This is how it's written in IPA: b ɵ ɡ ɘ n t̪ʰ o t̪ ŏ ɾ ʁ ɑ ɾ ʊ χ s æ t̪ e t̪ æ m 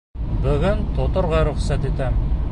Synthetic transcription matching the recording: b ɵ ɡ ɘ n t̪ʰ o t̪ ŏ ɾ ʁ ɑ ɾ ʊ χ s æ t̪ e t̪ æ m